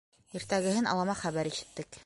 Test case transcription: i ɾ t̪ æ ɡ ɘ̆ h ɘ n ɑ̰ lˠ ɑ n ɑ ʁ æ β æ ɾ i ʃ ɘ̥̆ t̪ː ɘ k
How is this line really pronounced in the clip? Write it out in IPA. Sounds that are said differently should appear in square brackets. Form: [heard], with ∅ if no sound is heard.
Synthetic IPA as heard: i ɾ t̪ æ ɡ ɘ̆ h ɘ n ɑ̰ lˠ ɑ [m] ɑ [χ] æ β æ ɾ i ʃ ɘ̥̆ t̪ː ɘ k

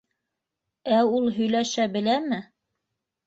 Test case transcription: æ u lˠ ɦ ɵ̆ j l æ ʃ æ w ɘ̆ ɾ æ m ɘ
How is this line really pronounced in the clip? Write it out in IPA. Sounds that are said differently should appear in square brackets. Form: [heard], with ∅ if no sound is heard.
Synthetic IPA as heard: æ u lˠ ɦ ɵ̆ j l æ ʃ æ [b] ɘ̆ [l] æ m ɘ

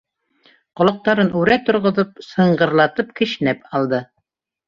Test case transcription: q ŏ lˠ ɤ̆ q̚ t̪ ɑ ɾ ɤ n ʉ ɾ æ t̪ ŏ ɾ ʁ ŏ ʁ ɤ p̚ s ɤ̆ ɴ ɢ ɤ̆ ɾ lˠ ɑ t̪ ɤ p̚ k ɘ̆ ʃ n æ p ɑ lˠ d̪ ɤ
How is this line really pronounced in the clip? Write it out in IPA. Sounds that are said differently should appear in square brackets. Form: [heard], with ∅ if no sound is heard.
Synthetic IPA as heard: q ŏ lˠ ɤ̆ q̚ t̪ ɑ ɾ ɤ n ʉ ɾ æ t̪ ŏ ɾ ʁ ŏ [ð] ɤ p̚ s ɤ̆ ɴ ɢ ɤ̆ ɾ lˠ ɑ t̪ ɤ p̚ k ɘ̆ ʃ n æ p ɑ lˠ d̪ ɤ

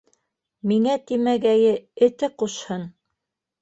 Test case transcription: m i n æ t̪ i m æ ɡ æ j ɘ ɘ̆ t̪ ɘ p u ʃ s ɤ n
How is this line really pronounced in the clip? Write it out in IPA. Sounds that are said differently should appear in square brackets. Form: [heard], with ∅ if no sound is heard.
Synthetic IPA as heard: m i [ŋ] æ t̪ i m æ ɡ æ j ɘ ɘ̆ t̪ ɘ [q] u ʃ [h] ɤ n

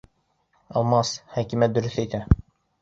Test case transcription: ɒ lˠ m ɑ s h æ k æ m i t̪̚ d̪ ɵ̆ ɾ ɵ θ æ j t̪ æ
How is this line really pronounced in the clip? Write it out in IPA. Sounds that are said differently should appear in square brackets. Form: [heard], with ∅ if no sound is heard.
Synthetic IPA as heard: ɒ lˠ m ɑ s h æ k [i] m [æ] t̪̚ d̪ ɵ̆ ɾ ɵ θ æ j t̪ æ

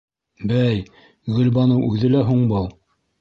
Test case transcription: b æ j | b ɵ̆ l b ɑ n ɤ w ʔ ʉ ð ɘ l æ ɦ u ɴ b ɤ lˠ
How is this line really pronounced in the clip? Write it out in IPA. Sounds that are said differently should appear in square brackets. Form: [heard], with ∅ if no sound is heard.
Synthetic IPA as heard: b æ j | [ɡ] ɵ̆ l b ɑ n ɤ w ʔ ʉ ð ɘ l æ ɦ u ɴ b ɤ lˠ

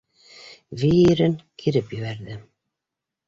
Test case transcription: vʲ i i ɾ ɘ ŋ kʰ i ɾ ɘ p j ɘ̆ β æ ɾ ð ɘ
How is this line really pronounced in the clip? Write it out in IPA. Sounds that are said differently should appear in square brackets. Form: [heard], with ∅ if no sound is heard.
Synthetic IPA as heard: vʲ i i ɾ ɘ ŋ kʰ i ɾ ɘ p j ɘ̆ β æ ɾ ð ɘ

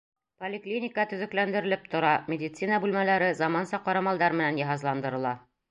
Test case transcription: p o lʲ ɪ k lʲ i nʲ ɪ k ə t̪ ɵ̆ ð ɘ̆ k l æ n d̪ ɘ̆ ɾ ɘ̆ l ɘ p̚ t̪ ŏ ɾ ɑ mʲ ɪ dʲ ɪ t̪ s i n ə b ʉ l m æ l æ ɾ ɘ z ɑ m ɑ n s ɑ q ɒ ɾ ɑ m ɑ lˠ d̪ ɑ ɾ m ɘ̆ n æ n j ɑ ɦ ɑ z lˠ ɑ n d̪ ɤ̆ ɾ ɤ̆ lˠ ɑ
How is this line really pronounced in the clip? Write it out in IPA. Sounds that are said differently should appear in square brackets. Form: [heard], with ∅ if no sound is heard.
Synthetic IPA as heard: p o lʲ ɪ k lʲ i nʲ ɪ k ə t̪ ɵ̆ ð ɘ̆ k l æ n d̪ ɘ̆ ɾ ɘ̆ l ɘ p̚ t̪ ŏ ɾ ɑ mʲ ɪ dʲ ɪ t̪ s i n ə b ʉ l m æ l æ ɾ ɘ z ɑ m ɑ n s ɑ q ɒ ɾ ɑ m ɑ lˠ d̪ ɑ ɾ m ɘ̆ n æ n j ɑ ɦ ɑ z lˠ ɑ n d̪ ɤ̆ ɾ ɤ̆ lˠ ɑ

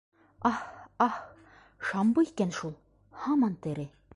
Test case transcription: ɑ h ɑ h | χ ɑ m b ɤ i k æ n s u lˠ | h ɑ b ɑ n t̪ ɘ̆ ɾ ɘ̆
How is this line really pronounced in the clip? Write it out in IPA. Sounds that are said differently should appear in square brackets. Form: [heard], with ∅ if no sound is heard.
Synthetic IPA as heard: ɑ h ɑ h | [ʃ] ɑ m b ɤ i k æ n [ʃ] u lˠ | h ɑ [m] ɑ n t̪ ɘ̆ ɾ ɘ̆

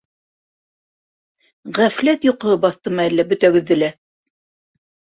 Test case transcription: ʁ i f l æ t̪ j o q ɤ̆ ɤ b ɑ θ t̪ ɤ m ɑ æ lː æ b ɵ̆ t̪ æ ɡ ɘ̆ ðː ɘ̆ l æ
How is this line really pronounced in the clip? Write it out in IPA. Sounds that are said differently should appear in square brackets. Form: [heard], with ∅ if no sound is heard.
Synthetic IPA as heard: ʁ [æ] f l æ t̪ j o q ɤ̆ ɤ b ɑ θ t̪ ɤ m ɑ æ lː æ b ɵ̆ t̪ æ ɡ ɘ̆ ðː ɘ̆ l æ

